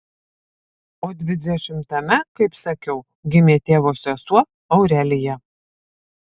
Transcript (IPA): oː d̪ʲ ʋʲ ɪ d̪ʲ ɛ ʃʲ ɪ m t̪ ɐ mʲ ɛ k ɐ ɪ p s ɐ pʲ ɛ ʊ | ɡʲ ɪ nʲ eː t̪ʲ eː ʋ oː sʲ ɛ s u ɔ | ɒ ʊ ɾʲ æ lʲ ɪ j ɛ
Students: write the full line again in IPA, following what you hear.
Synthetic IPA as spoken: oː d̪ʲ ʋʲ ɪ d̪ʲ ɛ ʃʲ ɪ m t̪ ɐ mʲ ɛ k ɐ ɪ p s ɐ kʲ ɛ ʊ | ɡʲ ɪ mʲ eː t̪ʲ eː ʋ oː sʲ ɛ s u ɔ | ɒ ʊ ɾʲ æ lʲ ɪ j ɛ